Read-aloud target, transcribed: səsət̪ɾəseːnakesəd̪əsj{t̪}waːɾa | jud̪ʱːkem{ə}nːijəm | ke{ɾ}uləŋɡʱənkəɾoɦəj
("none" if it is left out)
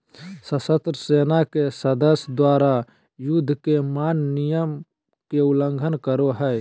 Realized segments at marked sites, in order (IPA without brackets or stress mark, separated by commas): d̪, a, none